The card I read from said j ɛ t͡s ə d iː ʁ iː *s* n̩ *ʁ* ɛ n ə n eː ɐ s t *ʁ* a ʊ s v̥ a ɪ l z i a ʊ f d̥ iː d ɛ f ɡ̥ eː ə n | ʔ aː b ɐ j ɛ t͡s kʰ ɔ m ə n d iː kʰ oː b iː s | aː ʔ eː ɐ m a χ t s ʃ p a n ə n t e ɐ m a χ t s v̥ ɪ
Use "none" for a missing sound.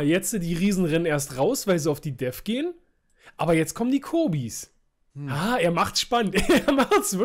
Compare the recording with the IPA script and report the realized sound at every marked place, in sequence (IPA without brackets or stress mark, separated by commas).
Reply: z, ʁ, ʁ